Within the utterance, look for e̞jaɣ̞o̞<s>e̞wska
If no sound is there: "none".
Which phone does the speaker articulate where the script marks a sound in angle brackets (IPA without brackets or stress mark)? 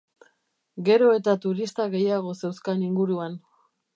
s